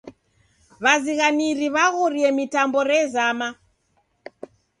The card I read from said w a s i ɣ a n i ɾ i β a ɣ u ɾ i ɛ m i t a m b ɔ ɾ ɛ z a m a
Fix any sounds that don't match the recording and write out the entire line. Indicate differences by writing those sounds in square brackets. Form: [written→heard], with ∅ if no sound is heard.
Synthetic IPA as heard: [w→β] a [s→z] i ɣ a n i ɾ i β a ɣ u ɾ i ɛ m i t a m b ɔ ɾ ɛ z a m a